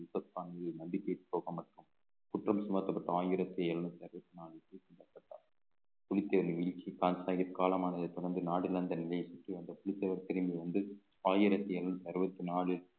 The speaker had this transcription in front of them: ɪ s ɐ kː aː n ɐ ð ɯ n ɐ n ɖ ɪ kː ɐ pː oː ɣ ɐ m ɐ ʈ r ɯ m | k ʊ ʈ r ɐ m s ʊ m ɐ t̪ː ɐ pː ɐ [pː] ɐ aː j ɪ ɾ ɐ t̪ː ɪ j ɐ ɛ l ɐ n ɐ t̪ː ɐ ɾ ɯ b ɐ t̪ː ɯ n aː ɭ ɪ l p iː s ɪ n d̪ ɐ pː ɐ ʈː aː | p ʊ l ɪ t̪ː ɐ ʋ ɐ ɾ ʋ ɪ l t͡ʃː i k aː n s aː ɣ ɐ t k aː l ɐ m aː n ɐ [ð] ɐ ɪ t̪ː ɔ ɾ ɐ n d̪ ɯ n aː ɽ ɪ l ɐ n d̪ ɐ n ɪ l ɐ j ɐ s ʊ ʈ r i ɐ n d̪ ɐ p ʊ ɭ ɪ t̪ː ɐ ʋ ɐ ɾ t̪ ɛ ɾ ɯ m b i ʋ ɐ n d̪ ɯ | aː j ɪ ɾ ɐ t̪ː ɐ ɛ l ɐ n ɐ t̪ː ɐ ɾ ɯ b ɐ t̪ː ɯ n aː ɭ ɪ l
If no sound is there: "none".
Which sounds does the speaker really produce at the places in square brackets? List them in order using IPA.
ʈː, ð

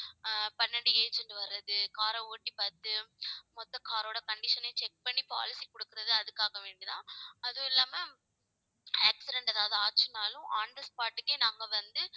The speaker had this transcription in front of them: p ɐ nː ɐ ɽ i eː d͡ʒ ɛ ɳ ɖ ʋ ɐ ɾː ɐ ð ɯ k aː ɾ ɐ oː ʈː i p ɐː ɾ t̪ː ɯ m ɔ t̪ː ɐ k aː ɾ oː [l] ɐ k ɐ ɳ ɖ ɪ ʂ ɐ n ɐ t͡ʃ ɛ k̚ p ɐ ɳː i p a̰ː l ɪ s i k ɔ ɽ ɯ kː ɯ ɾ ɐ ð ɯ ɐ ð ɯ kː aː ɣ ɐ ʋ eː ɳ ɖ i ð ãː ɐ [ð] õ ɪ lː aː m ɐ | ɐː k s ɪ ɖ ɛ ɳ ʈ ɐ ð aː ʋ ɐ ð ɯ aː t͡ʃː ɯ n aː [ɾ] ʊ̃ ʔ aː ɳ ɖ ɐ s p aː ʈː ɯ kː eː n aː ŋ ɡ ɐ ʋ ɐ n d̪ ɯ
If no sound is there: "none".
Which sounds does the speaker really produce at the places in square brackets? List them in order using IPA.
ɽ, ð, l

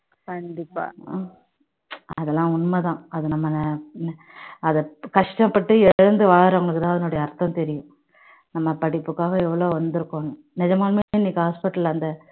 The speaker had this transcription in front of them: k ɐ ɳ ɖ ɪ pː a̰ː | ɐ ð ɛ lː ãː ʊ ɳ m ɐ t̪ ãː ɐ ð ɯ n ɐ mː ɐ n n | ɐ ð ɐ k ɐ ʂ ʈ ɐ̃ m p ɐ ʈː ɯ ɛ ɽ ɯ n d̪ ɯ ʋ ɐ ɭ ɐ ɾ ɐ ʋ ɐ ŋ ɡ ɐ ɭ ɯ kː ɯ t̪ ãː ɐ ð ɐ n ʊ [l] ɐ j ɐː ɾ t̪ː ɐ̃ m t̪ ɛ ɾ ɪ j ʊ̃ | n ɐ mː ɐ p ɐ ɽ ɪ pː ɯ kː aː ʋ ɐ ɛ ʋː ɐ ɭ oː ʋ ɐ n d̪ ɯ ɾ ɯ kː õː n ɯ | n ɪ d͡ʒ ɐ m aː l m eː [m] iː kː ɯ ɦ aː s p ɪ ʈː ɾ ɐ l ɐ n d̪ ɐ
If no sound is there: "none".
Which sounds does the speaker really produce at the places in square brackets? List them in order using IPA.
ɽ, n

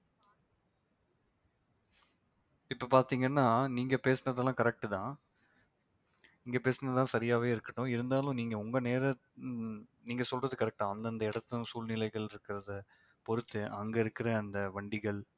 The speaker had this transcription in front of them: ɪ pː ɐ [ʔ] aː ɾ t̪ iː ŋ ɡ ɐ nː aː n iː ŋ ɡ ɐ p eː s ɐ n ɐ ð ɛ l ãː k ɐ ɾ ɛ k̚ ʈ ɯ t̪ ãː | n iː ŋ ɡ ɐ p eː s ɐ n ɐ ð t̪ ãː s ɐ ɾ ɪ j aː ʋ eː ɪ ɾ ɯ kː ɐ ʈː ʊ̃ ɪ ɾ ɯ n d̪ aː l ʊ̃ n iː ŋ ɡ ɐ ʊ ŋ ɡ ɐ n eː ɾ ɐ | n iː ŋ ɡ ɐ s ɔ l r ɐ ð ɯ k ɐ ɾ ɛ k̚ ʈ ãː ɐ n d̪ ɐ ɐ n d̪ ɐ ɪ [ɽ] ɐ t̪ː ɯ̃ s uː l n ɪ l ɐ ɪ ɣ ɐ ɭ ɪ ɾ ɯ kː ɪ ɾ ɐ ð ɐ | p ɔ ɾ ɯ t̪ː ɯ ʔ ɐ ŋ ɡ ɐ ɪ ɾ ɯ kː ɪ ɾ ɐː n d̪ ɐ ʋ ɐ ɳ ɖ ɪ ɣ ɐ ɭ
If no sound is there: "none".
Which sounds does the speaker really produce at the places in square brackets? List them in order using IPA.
p, ɽ

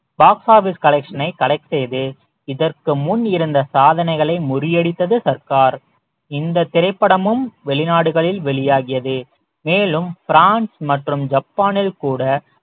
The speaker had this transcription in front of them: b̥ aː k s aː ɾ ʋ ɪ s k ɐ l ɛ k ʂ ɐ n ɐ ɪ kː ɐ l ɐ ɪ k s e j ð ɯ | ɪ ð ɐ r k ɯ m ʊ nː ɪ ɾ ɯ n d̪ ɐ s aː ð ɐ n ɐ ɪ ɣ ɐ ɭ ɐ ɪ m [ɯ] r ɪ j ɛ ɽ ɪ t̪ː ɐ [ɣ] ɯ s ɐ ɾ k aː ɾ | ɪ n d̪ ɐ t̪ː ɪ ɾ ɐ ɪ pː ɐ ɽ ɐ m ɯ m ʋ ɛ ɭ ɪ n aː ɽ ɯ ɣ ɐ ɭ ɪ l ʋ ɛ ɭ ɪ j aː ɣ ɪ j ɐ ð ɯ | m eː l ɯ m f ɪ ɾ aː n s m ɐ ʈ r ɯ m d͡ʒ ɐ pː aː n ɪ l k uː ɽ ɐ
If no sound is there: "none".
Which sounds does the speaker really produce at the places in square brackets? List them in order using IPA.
ʊ, ð

